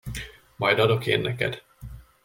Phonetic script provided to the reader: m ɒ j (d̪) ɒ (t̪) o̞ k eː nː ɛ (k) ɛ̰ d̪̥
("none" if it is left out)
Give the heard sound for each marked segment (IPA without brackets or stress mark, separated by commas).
d̪, d̪, k